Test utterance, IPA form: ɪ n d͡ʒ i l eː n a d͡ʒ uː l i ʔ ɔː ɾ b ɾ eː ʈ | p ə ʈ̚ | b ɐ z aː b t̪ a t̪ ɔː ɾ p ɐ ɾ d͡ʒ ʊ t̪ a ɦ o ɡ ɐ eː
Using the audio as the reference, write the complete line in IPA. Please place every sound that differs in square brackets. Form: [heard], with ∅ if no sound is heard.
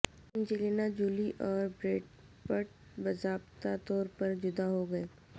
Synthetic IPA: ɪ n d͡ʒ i l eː n a d͡ʒ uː l i ʔ ɔː ɾ b ɾ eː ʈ | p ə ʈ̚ | b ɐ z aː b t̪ a t̪ ɔː ɾ p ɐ ɾ d͡ʒ ʊ [d̪] a ɦ o ɡ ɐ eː